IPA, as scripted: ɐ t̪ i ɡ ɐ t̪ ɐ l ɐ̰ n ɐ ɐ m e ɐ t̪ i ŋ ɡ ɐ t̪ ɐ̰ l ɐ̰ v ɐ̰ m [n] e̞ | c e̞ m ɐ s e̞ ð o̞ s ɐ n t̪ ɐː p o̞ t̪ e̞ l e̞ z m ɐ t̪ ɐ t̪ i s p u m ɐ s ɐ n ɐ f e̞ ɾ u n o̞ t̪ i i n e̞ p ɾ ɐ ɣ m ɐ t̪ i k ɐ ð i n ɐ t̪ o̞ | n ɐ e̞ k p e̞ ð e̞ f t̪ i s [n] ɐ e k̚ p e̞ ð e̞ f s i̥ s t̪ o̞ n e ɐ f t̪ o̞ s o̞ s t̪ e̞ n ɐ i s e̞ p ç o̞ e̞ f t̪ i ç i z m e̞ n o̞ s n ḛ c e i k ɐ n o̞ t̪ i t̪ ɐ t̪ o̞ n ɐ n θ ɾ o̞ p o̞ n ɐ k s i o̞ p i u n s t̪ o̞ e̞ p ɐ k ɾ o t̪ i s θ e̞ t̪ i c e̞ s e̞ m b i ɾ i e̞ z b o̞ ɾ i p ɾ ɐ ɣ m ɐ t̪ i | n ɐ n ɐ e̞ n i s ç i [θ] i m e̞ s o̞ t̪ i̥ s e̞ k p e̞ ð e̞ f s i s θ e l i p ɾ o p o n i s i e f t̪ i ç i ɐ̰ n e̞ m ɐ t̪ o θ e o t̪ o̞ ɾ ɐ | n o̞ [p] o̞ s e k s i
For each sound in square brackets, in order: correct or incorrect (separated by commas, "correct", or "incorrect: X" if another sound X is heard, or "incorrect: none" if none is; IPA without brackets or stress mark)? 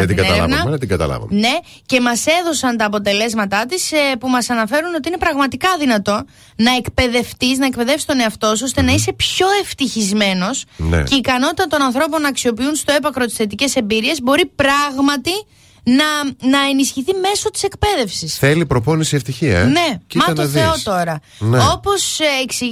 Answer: correct, correct, correct, correct